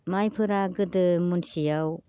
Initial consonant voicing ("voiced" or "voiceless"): voiced